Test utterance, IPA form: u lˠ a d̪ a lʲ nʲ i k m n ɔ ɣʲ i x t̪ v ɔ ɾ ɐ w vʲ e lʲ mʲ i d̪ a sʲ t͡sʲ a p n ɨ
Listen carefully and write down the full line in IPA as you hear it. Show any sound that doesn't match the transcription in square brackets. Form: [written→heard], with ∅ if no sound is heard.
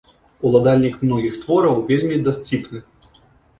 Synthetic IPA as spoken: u lˠ a d̪ a lʲ nʲ i k m n ɔ ɣʲ i x t̪ v ɔ ɾ ɐ w vʲ e lʲ mʲ i d̪ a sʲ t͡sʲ [a→i] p n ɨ